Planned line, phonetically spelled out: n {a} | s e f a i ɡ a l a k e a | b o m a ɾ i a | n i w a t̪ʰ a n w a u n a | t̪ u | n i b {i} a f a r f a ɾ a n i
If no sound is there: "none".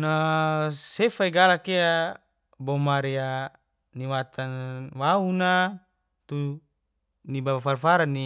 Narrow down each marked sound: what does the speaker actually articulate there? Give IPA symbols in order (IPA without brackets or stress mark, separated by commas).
a, a